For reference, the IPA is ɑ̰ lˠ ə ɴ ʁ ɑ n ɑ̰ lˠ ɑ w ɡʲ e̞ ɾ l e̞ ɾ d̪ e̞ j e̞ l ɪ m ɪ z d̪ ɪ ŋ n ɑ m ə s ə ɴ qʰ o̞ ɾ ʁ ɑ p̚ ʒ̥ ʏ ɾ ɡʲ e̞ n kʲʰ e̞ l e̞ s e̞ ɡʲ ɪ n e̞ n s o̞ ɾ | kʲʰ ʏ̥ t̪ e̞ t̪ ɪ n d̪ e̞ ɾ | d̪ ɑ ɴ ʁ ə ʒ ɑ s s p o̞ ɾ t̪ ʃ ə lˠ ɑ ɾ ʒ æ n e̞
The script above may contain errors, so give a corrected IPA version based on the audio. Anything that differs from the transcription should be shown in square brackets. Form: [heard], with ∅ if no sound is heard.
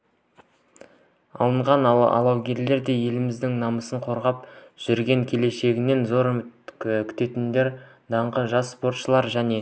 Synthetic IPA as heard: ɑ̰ lˠ ə ɴ ʁ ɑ n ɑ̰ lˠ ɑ w ɡʲ e̞ ɾ l e̞ ɾ d̪ e̞ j e̞ l ɪ m ɪ z d̪ ɪ ŋ n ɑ m ə s ə ɴ qʰ o̞ ɾ ʁ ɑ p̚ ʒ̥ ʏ ɾ ɡʲ e̞ [ŋ] kʲʰ e̞ l e̞ [ʃ] e̞ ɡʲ ɪ n e̞ n [z] o̞ ɾ | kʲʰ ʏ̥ t̪ e̞ t̪ ɪ n d̪ e̞ ɾ | d̪ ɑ ɴ ʁ ə ʒ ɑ s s p o̞ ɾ t̪ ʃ ə lˠ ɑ ɾ ʒ æ n e̞

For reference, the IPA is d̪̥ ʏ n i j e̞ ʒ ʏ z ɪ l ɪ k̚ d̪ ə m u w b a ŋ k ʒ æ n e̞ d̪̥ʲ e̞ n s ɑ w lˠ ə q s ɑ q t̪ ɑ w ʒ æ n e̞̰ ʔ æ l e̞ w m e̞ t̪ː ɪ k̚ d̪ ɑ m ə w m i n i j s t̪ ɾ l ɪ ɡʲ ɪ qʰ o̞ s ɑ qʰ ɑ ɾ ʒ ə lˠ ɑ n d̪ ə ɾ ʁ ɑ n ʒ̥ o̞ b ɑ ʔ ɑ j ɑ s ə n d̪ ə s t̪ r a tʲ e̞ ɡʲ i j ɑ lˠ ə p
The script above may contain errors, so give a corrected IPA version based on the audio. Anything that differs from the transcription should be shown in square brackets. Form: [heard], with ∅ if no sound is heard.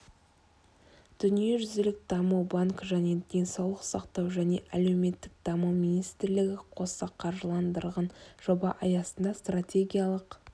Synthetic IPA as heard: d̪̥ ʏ n i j e̞ ʒ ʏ z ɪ l ɪ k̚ d̪ [ɑ] m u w b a ŋ k ʒ æ n e̞ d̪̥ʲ e̞ n s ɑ w lˠ ə q s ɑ q t̪ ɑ w ʒ æ n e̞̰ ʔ æ l e̞ w m e̞ t̪ː ɪ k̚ d̪ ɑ m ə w m i n i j s t̪ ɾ l ɪ ɡʲ ɪ qʰ o̞ s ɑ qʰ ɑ ɾ ʒ ə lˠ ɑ n d̪ ə ɾ ʁ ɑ n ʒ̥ o̞ b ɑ ʔ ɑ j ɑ s ə n d̪ [ɑ] s t̪ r a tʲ e̞ ɡʲ i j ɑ lˠ ə [q]

